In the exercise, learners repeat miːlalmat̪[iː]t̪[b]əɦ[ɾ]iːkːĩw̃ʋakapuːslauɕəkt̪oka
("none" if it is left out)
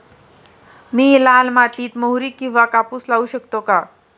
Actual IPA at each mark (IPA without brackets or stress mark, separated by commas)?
iː, m, ɾ